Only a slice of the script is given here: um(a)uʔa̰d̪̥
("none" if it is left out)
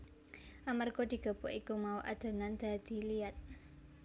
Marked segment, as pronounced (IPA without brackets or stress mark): a